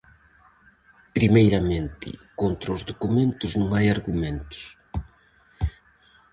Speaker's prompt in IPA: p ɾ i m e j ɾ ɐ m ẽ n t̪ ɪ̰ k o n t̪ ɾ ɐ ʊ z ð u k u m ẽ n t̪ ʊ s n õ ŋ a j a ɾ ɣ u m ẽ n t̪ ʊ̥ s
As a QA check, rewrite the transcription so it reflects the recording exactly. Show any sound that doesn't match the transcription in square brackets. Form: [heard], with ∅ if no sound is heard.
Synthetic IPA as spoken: p ɾ i m e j ɾ ɐ m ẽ n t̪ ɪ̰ k o n t̪ ɾ ɐ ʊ z ð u k u m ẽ n t̪ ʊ [z] n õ ŋ a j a ɾ ɣ u m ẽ n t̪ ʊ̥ s